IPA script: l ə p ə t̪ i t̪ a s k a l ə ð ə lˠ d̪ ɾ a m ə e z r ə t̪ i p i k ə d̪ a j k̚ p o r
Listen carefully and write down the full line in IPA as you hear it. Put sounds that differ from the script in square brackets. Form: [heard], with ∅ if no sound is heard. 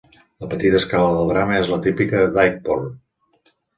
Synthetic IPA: l ə p ə t̪ i t̪ [ə] s k a l ə ð ə lˠ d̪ ɾ a m ə e z [l] ə t̪ i p i k ə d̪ a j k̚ p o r